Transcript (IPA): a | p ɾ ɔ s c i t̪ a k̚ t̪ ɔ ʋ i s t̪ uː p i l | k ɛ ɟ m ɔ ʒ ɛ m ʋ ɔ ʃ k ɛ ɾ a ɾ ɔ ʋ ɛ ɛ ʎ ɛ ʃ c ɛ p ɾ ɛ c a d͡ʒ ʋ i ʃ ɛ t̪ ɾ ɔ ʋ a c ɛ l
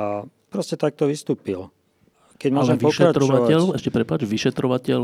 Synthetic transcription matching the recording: a | p ɾ ɔ s c ɛ t̪ a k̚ t̪ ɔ ʋ i s t̪ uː p i l | k ɛ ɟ m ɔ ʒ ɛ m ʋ ɔ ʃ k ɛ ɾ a ɾ ɔ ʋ a ɛ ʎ ɛ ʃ c ɛ p ɾ ɛ p a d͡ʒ ʋ i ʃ ɛ t̪ ɾ ɔ ʋ a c ɛ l